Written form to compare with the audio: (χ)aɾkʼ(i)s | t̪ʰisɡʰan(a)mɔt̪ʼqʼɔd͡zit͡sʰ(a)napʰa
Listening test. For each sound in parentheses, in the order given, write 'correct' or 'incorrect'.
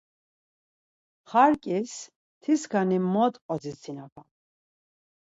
correct, correct, incorrect, incorrect

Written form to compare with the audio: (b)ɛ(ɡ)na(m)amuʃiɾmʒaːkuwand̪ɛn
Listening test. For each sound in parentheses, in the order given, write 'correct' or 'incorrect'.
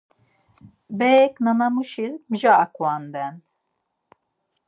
correct, incorrect, incorrect

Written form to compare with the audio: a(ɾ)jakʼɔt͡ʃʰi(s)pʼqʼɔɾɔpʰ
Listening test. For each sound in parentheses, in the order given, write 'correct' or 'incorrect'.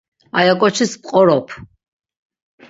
incorrect, correct

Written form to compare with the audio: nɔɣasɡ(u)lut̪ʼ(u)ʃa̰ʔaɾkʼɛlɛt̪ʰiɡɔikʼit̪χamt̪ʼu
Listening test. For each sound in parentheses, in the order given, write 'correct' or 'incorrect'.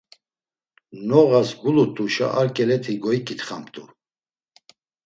correct, correct

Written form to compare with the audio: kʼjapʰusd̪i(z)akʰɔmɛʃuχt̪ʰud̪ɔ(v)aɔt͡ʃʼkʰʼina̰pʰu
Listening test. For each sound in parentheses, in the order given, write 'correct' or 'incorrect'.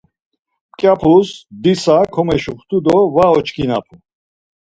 incorrect, correct

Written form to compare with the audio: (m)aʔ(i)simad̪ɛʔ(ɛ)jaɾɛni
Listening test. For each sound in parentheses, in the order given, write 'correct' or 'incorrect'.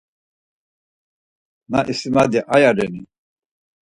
incorrect, correct, incorrect

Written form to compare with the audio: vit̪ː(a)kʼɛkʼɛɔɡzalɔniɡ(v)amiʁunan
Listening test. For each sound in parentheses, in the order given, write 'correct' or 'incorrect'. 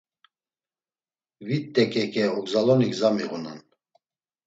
incorrect, incorrect

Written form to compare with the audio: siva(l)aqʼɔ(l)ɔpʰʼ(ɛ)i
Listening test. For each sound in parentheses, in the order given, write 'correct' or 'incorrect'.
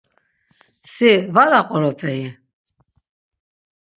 incorrect, incorrect, correct

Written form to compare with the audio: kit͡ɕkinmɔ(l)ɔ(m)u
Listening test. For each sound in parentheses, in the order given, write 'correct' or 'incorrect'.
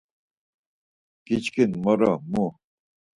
incorrect, correct

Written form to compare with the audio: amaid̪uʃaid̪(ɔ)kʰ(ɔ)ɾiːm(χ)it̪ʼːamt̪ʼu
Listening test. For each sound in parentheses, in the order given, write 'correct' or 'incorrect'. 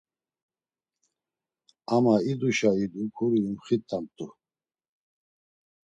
incorrect, incorrect, correct

